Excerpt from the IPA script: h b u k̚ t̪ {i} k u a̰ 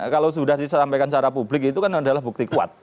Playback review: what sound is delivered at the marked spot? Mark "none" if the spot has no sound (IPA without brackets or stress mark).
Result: i